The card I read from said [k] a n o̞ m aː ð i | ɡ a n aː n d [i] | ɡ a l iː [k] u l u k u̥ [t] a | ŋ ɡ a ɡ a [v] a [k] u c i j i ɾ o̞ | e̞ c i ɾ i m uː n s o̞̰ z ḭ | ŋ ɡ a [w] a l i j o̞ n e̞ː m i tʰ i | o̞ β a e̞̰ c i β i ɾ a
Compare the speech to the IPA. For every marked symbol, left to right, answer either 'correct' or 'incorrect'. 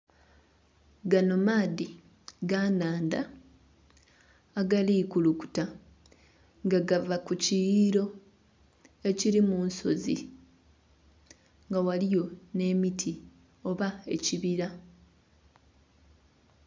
incorrect, incorrect, correct, correct, correct, correct, correct

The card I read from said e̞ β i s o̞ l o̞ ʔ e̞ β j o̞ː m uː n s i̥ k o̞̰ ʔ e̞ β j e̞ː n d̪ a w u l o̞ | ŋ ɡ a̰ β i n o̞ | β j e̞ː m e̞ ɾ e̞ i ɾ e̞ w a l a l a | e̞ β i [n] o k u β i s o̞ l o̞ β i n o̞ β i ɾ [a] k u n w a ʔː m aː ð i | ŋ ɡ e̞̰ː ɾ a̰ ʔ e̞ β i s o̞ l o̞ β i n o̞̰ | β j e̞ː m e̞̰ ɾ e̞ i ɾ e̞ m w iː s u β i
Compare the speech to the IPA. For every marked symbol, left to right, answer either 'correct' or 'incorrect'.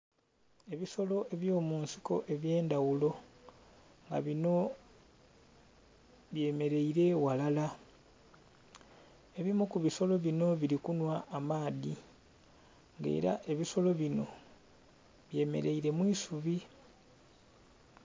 incorrect, incorrect

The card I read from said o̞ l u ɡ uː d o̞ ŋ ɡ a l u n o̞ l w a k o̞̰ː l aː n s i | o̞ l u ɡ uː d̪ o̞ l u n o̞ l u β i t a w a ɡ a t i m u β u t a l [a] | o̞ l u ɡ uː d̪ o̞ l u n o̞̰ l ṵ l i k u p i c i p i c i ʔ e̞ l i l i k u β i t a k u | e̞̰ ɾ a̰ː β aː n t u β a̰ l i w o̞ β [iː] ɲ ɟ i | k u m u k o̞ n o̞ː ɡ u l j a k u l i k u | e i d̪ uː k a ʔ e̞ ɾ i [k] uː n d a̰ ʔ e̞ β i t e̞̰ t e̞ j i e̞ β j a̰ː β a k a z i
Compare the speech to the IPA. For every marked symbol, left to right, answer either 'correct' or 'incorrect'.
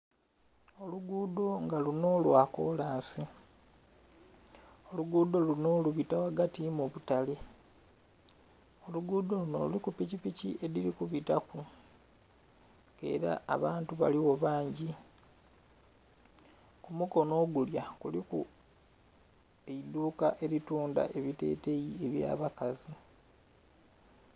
incorrect, incorrect, incorrect

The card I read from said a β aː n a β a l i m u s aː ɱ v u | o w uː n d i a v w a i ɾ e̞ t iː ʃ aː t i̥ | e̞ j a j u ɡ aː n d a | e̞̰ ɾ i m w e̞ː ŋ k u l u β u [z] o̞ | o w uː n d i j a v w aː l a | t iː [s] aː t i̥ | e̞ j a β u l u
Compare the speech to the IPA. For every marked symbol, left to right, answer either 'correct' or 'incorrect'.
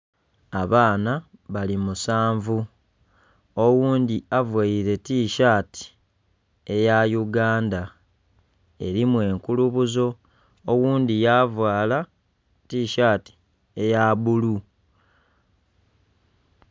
correct, incorrect

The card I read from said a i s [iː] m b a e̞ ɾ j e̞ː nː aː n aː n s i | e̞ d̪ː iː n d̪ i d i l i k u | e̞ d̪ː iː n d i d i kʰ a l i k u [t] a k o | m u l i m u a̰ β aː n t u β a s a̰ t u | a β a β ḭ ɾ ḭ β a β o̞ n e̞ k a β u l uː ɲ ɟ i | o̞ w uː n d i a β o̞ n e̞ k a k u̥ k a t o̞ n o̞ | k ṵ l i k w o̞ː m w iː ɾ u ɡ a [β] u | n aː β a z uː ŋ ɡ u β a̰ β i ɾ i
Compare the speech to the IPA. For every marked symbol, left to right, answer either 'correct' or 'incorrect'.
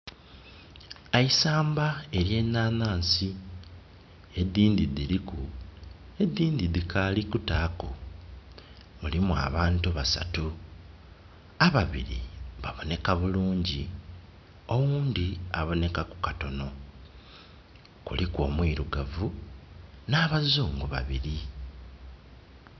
incorrect, correct, incorrect

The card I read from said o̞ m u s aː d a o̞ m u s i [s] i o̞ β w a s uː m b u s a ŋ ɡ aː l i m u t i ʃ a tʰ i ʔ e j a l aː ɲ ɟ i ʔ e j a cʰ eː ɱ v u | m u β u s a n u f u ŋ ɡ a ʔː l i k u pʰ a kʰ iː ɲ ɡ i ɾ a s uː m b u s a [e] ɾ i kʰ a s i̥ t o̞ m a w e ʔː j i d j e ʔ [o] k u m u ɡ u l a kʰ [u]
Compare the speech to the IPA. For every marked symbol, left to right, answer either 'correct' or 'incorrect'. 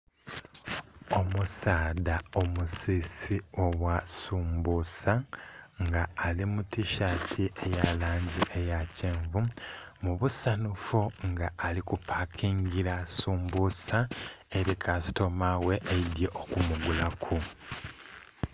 correct, correct, correct, correct

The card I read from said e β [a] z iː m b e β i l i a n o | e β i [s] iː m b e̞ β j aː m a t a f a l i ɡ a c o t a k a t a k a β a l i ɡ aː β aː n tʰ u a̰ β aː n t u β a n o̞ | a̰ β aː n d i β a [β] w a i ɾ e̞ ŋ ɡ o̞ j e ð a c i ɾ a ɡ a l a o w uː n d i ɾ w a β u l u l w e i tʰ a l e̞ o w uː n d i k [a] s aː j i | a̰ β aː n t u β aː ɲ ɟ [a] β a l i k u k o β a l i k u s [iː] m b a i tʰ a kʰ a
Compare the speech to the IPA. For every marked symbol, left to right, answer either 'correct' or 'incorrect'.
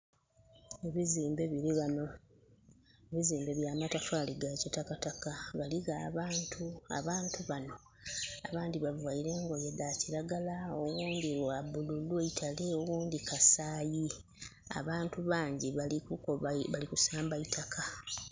incorrect, incorrect, incorrect, correct, incorrect, incorrect

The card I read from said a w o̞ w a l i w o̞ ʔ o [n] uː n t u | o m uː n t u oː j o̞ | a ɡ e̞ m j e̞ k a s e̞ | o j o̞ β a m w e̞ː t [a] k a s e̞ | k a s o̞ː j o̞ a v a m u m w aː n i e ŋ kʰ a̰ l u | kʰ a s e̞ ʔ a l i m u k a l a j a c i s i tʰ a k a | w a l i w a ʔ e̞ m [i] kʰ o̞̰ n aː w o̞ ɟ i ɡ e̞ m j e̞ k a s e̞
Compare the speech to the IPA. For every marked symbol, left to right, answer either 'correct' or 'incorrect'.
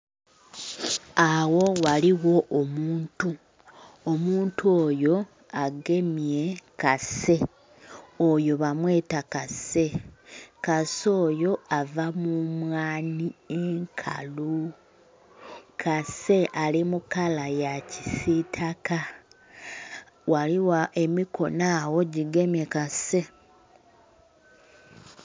incorrect, correct, correct

